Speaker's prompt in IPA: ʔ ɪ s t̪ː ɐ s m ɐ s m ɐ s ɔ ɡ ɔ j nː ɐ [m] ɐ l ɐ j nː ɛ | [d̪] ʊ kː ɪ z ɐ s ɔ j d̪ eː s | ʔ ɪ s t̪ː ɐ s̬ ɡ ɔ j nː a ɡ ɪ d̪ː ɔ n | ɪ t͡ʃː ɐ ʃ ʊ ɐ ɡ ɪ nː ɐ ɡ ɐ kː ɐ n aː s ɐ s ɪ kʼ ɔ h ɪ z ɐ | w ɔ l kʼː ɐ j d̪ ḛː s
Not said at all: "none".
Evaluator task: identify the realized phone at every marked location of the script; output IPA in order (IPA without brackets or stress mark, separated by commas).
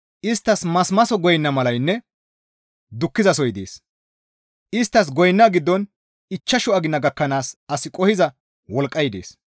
m, d̪